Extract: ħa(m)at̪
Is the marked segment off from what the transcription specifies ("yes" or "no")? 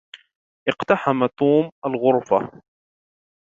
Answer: no